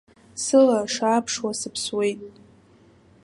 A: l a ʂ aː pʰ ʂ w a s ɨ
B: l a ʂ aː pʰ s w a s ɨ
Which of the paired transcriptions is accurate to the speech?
A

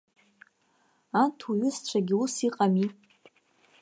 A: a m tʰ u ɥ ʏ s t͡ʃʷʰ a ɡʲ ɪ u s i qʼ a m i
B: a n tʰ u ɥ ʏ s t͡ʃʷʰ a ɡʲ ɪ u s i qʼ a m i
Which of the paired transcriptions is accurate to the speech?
B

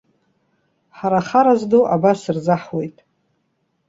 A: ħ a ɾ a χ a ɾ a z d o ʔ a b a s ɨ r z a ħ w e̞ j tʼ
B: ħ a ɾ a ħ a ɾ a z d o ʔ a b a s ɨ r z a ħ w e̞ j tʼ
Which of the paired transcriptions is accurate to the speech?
A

